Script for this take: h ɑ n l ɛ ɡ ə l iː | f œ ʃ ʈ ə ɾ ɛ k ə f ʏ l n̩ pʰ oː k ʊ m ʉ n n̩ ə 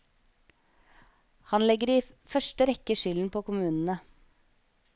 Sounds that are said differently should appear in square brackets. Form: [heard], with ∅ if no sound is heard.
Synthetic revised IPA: h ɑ n l ɛ ɡ ə [ɾ] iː | f œ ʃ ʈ ə ɾ ɛ k ə [ʃ] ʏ l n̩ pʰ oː k ʊ m [ʉː] n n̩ ə